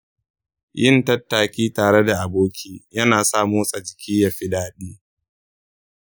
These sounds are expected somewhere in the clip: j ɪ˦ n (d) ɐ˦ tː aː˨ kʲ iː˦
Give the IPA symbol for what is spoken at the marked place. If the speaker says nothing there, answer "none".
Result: t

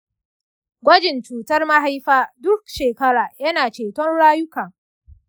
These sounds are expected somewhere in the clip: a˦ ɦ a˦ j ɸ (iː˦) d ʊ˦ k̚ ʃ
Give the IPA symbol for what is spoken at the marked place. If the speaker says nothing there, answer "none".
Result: aː˦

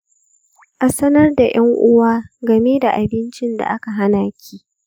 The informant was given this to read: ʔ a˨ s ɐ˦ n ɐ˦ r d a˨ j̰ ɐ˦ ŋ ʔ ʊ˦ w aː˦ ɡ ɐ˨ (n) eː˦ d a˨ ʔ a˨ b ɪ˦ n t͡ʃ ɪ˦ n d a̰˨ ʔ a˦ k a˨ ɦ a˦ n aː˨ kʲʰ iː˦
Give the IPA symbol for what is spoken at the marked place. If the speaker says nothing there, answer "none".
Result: m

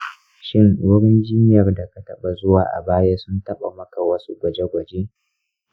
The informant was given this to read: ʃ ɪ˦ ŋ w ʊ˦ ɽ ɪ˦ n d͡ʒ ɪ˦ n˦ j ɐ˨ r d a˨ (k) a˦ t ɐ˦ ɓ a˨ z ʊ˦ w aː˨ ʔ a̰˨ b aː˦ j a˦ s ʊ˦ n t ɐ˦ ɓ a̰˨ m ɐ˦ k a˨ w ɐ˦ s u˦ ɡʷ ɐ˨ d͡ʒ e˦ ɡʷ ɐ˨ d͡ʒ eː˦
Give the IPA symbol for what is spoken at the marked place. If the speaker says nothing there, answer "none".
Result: k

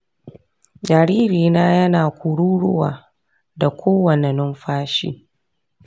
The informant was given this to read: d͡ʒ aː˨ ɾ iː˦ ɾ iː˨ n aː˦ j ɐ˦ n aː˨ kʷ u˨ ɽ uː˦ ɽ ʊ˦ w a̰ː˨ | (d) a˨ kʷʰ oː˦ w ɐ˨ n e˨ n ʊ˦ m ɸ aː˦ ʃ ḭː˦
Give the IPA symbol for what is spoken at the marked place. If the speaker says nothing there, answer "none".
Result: d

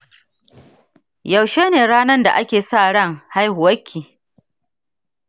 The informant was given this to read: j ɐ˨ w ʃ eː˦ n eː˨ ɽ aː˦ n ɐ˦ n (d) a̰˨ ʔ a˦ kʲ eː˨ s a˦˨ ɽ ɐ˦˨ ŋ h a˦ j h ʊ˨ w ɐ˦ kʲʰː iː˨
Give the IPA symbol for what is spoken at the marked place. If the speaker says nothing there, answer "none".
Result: d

